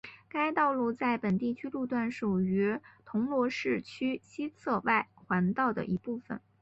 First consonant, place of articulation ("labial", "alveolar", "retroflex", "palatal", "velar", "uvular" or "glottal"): velar